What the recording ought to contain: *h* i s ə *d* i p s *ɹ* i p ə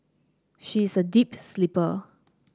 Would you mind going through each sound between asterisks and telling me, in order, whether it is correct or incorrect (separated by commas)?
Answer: incorrect, correct, incorrect